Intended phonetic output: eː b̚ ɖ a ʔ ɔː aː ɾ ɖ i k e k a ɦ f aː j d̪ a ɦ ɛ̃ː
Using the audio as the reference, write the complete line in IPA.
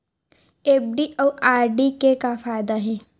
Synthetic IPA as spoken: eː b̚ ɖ i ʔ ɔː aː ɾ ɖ i k e k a f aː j d̪ a ɦ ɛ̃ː